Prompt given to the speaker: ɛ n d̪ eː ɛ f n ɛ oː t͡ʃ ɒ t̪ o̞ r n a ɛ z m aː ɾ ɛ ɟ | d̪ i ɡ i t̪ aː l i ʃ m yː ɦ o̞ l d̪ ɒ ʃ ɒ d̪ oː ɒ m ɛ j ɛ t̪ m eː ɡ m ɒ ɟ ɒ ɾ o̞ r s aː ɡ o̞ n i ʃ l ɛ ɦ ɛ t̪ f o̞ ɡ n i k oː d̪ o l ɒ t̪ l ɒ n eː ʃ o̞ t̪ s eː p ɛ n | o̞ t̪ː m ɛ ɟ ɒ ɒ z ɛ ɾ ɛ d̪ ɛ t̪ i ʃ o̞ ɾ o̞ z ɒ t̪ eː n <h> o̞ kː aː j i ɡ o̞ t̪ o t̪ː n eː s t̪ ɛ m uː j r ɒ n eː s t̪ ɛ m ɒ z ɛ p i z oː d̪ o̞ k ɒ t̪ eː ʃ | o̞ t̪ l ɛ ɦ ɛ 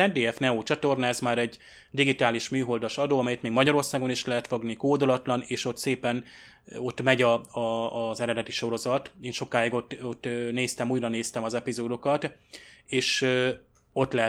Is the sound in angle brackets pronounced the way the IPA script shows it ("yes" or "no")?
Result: no